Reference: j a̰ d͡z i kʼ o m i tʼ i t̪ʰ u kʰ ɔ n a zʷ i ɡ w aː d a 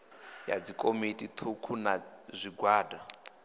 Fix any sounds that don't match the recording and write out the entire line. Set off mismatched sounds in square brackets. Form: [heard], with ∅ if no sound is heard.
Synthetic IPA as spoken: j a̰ d͡z i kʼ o m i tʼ i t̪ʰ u kʰ [u] n a zʷ i ɡ w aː d a